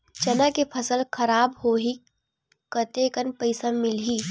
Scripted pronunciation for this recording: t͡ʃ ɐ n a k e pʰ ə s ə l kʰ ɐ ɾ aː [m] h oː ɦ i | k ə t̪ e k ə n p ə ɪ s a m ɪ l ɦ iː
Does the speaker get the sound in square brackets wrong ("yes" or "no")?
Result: yes